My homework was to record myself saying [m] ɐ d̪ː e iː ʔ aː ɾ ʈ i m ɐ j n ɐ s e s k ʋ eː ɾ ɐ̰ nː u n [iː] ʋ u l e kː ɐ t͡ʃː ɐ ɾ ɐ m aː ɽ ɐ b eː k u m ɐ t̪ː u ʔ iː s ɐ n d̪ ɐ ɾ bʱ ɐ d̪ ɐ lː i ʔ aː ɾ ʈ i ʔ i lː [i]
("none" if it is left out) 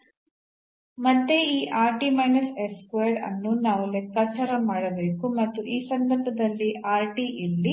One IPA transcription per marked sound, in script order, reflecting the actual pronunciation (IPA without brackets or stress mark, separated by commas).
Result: m, aː, i